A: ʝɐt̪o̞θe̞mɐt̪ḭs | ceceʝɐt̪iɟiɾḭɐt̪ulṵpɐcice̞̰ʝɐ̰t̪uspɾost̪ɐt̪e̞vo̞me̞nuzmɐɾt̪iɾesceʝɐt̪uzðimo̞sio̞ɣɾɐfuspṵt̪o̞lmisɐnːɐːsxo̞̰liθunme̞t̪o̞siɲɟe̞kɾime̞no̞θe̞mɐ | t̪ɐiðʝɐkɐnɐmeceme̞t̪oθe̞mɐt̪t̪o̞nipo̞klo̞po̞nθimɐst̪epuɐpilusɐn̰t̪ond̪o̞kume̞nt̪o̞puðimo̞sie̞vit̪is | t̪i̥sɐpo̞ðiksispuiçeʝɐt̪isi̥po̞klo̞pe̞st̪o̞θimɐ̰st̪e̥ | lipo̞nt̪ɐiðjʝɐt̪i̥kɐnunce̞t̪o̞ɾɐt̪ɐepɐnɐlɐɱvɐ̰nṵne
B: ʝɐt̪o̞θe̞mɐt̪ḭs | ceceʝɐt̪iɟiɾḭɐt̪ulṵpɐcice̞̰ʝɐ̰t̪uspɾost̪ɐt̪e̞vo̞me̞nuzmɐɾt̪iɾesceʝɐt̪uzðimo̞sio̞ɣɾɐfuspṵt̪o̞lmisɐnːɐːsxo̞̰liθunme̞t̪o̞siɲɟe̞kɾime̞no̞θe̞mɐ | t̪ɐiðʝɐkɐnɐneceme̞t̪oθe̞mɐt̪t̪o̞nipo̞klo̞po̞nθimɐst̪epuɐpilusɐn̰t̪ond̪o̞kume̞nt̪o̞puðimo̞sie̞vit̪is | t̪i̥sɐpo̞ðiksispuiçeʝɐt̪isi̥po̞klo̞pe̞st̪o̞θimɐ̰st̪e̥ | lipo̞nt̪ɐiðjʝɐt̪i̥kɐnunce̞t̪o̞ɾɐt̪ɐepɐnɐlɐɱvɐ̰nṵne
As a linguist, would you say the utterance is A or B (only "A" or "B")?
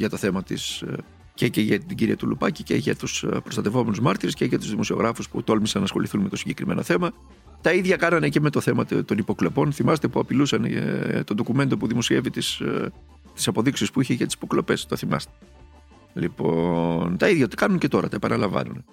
B